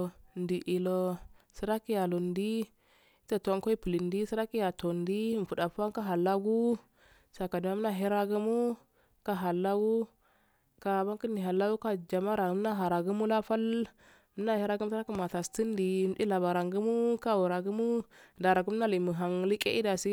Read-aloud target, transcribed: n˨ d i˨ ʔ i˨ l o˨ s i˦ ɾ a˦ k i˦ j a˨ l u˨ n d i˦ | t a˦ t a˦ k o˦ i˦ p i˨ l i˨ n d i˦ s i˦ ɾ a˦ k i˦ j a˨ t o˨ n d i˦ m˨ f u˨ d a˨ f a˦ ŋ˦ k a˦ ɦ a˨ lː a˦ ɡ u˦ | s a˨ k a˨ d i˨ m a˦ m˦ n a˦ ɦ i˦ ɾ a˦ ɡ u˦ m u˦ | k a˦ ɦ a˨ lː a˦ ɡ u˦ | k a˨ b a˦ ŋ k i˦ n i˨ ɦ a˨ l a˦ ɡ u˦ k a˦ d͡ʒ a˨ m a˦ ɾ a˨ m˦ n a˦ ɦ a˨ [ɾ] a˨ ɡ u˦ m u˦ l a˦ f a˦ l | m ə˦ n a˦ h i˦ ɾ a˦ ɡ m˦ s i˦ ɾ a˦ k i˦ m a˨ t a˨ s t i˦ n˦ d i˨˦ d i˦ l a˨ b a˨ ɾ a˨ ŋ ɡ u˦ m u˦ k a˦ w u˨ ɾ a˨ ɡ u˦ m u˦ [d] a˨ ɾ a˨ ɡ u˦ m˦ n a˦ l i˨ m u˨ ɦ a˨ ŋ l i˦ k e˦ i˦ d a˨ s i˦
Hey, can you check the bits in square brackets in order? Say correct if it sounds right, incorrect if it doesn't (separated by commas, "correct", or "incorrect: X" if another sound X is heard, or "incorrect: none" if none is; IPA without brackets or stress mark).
correct, correct